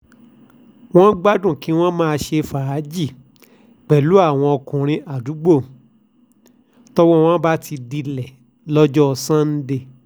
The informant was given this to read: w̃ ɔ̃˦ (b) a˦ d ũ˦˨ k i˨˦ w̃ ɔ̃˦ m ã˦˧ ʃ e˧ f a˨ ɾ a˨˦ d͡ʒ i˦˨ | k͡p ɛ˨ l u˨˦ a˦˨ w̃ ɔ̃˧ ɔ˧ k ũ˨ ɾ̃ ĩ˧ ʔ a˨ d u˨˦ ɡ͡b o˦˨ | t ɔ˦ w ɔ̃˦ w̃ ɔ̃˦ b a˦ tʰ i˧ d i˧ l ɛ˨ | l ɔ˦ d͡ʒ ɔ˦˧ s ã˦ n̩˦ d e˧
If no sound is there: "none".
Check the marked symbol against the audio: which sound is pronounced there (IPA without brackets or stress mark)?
ɡ͡b